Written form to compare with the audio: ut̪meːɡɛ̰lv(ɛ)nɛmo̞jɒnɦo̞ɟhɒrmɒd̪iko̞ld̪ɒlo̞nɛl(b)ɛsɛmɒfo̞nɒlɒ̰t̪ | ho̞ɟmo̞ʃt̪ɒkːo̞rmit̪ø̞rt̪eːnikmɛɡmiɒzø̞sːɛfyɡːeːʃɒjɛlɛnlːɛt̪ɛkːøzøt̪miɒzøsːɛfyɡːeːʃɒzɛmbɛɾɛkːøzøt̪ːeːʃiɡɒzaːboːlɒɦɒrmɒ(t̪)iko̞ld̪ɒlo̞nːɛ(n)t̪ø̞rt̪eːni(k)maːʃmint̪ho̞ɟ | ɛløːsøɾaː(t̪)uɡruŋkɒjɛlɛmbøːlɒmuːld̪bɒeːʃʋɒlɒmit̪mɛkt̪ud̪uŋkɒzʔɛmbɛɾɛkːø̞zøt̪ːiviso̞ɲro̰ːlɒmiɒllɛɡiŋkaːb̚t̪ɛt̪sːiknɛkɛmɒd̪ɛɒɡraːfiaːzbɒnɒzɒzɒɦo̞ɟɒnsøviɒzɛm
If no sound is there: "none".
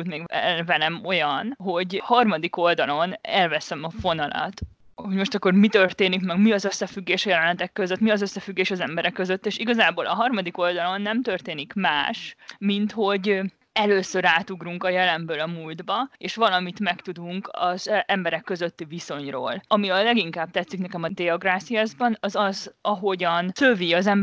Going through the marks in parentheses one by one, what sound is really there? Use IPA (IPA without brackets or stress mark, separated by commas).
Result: ɛ, v, d̪, m, k, t̪